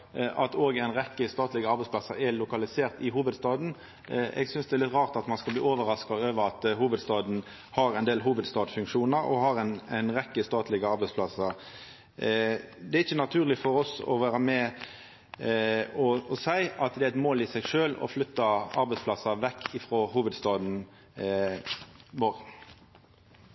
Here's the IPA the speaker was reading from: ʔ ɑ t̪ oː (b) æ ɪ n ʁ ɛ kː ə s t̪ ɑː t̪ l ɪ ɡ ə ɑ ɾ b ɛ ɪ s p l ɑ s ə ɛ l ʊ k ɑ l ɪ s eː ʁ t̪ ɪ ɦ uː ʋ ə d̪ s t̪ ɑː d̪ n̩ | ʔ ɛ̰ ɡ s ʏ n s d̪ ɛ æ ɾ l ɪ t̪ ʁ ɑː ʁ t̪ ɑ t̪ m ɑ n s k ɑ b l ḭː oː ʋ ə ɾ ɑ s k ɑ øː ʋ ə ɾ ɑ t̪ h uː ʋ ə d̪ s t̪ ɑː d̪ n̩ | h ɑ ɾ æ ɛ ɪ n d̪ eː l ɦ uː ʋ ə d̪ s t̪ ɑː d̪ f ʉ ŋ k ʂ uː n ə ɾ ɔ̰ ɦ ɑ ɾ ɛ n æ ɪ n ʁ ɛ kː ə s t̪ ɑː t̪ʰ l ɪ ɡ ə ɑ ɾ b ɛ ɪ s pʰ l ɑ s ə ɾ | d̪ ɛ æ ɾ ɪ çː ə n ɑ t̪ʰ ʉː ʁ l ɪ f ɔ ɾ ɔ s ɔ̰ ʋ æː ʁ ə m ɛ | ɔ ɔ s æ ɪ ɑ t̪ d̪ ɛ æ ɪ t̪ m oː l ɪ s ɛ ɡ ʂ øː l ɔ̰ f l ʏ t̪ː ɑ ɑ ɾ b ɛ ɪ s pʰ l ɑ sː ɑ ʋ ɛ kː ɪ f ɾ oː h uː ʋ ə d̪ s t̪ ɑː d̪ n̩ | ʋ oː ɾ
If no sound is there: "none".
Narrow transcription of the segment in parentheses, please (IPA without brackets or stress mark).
ɡ